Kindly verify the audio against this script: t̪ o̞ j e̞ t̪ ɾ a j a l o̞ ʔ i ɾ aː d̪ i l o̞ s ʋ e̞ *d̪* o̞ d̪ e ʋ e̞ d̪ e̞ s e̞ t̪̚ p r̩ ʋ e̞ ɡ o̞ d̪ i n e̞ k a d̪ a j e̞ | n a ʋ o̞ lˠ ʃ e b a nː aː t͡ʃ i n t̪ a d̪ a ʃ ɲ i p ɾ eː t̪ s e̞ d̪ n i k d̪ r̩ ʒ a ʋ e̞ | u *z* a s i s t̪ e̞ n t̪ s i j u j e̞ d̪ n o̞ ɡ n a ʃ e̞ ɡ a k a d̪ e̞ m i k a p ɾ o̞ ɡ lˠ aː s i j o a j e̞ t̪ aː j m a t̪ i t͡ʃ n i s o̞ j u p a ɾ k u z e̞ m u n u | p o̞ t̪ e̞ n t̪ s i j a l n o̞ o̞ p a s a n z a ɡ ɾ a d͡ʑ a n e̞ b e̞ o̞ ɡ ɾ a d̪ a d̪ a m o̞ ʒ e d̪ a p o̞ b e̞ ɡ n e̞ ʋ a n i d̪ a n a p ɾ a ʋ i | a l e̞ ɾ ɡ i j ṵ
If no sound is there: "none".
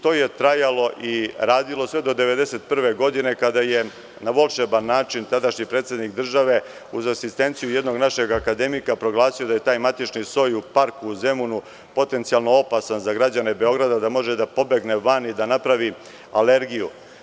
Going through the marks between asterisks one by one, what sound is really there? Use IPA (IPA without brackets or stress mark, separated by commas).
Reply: d̪, z